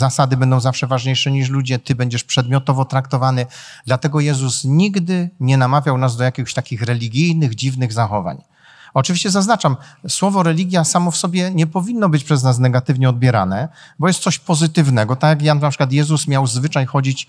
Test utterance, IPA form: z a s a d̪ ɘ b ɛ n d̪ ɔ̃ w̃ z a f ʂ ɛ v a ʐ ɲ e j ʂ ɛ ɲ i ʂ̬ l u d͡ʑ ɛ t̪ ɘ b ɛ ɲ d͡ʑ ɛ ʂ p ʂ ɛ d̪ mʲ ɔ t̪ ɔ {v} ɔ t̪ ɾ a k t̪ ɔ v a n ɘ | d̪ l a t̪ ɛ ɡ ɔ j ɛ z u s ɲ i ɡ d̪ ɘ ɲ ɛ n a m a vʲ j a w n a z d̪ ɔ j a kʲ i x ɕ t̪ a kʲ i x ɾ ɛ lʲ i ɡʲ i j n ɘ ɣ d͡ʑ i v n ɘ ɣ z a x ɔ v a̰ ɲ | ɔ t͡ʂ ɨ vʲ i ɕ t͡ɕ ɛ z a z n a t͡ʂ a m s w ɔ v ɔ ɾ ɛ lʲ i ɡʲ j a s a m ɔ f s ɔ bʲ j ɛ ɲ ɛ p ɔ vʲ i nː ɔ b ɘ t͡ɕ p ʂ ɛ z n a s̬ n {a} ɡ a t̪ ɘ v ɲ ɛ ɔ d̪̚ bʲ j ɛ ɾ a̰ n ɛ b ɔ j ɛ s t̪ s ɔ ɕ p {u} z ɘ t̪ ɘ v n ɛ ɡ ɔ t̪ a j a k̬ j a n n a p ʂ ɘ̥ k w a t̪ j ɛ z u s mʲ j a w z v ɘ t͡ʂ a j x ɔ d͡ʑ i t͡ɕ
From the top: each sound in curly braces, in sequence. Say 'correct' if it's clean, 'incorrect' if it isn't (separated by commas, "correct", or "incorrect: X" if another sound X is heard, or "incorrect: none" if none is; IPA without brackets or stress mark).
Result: correct, incorrect: ɛ, incorrect: ɔ